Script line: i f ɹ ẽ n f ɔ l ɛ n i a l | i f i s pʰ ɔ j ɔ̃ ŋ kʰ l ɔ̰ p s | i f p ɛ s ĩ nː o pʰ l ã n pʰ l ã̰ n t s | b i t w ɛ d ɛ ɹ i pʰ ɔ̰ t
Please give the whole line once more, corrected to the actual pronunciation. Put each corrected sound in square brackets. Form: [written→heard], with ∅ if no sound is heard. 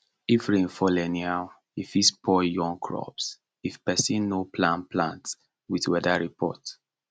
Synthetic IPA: i f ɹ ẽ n f ɔ l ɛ n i a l | i f i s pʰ ɔ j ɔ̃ ŋ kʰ [l→ɹ] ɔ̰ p s | i f p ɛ s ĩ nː o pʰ l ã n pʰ l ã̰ n t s | [b→w] i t w ɛ d [ɛ→a] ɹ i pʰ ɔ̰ t

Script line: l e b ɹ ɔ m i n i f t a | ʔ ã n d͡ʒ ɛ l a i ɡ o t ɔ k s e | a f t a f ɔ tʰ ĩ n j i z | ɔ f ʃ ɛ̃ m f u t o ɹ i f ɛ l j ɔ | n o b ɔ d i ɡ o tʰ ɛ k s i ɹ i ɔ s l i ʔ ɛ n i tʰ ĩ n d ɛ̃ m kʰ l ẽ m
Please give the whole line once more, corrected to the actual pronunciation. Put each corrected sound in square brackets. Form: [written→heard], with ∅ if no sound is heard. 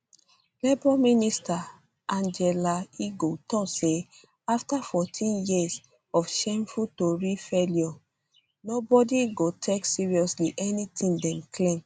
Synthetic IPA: l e b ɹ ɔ m i n i [f→s] t a | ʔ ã n d͡ʒ ɛ l a i ɡ o t ɔ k s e | a f t a f ɔ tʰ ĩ n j i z | ɔ f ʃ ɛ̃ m f u t o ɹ i f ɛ l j ɔ | n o b ɔ d i ɡ o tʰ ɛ k s i ɹ i ɔ s l i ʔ ɛ n i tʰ ĩ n d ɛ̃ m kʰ l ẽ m

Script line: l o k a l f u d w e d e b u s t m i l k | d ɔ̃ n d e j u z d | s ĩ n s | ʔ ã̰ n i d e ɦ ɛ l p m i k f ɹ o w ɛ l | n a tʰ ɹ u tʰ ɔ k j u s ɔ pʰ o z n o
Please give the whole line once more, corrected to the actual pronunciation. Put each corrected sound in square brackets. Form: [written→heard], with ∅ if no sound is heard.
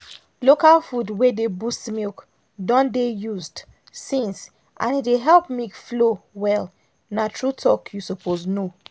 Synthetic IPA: l o k a l f u d w e d e b u s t m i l k | d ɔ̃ n d e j u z d | s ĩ n s | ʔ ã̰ n i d e ɦ ɛ l p m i k f [ɹ→l] o w ɛ l | n a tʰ ɹ u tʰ ɔ k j u s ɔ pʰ o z n o

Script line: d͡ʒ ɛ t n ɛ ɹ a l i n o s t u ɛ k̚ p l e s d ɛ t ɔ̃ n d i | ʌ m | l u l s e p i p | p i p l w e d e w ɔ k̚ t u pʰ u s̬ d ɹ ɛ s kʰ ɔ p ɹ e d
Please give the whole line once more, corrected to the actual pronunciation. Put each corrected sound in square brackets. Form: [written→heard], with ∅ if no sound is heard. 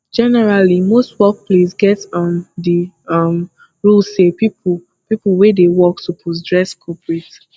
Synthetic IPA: d͡ʒ ɛ [t→∅] n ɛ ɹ a l i [n→m] o s t [u→w] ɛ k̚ p l e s [d→ɡ] ɛ t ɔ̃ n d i | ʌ m | [l→ɹ] u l s e p i p | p i p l w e d e w ɔ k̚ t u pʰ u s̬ d ɹ ɛ s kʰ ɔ p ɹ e [d→t]

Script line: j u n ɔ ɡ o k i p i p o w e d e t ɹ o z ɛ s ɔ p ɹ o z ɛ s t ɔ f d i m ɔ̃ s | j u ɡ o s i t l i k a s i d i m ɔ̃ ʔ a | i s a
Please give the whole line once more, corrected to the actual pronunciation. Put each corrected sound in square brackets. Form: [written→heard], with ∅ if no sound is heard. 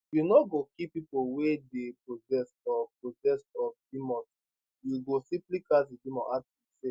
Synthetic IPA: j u n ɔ ɡ o k i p i p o w e d e [t→p] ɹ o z ɛ s ɔ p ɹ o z ɛ s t ɔ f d i m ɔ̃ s | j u ɡ o s i [t→p] l i k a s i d i m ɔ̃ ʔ a | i s [a→e]

